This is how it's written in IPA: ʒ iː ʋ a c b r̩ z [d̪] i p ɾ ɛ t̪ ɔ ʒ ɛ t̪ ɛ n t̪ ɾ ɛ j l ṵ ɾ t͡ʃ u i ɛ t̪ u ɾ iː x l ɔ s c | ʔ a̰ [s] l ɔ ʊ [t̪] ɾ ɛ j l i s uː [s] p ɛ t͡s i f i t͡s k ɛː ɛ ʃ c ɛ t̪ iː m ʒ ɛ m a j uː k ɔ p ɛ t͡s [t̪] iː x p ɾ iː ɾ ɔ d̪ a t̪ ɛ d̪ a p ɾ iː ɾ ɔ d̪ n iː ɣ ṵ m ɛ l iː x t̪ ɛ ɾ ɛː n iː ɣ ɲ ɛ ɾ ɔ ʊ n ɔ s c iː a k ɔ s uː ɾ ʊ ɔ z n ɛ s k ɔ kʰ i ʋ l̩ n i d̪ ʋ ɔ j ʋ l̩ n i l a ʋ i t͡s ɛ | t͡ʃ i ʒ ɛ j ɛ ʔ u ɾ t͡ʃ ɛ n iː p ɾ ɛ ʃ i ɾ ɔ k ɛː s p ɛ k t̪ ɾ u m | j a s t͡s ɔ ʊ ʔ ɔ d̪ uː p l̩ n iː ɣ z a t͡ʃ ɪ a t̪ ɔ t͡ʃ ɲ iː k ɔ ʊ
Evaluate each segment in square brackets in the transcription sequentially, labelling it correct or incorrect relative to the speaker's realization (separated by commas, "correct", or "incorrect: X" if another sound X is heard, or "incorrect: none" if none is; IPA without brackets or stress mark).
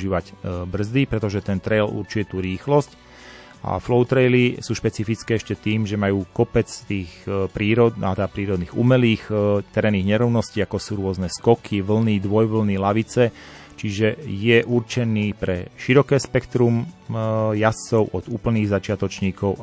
correct, incorrect: f, correct, incorrect: ʃ, correct